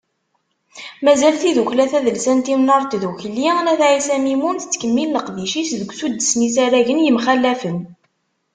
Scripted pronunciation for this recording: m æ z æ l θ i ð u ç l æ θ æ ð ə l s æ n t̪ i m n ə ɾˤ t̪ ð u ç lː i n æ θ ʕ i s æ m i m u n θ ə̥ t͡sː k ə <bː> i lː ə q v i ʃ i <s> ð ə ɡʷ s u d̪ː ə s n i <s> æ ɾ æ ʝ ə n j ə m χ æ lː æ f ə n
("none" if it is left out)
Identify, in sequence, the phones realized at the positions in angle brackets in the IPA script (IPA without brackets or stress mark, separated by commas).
mː, s, s